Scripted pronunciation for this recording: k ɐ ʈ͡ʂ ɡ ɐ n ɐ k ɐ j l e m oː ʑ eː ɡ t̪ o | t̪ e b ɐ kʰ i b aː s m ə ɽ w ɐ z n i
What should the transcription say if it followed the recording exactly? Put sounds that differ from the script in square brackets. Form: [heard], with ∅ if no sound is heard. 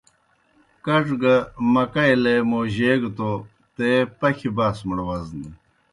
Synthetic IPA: k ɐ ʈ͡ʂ ɡ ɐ [m] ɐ k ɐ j l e m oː ʑ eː ɡ t̪ o | t̪ e [p] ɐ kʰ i b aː s m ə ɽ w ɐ z n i